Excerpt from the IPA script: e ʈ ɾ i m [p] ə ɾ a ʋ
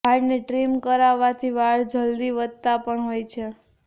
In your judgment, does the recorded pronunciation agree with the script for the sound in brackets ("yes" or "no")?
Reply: no